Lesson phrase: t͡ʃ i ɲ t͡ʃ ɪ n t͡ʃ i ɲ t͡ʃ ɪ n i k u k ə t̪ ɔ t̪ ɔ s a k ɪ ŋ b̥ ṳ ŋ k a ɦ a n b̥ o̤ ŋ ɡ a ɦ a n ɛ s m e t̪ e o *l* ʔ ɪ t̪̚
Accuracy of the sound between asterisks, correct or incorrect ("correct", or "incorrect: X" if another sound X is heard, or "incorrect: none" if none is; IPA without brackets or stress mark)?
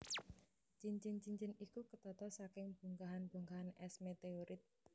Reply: incorrect: ɾ